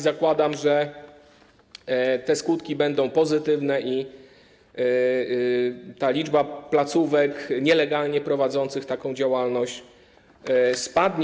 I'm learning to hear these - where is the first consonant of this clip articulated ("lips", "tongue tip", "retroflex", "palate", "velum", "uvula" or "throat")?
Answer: tongue tip